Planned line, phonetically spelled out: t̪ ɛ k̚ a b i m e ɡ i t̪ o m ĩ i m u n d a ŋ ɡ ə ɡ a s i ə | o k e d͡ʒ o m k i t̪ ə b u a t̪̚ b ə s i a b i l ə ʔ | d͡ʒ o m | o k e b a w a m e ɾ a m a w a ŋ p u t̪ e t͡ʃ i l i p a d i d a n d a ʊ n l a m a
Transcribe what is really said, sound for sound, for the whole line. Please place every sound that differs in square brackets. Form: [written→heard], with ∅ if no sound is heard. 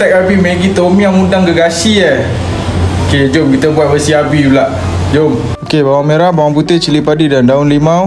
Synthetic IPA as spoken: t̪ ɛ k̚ a b i m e ɡ i t̪ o m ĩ [i→a] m u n d a ŋ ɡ ə ɡ a s i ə | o k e d͡ʒ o m k i t̪ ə b u a t̪̚ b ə s i a b i l [ə→a] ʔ | d͡ʒ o m | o k e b a w a m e ɾ a [m→b] a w a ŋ p u t̪ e t͡ʃ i l i p a d i d a n d a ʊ n l [a→i] m a